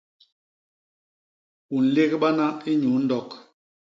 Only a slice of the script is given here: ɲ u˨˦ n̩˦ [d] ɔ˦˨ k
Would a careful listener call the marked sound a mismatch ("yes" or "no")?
no